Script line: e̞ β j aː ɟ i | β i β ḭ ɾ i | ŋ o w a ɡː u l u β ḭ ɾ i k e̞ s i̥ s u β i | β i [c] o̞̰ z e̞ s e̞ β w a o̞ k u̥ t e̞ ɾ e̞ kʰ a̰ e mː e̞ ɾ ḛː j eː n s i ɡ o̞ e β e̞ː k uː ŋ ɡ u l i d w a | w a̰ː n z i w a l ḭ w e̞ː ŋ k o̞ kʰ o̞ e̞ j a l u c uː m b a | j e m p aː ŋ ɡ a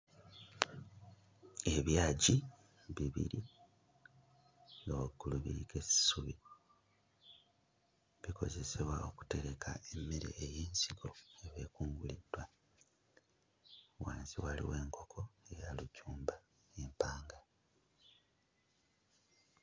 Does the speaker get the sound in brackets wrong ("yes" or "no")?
yes